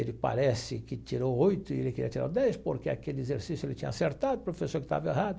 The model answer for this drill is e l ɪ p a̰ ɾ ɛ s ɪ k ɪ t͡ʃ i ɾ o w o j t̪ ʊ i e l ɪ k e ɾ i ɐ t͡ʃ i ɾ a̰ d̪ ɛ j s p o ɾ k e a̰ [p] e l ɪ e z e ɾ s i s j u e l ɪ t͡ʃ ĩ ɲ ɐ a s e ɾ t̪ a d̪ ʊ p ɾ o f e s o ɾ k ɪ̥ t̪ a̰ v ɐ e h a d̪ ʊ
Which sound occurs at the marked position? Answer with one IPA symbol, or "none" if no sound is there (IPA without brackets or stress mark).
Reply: k